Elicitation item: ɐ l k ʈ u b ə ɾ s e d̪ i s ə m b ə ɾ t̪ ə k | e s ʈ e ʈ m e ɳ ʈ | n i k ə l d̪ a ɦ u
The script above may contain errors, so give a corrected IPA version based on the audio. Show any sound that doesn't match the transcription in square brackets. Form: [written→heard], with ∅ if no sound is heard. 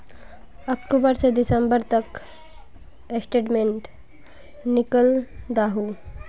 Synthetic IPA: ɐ [l→∅] k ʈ u b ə ɾ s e d̪ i s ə m b ə ɾ t̪ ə k | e s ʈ e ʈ m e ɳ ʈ | n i k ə l d̪ a ɦ u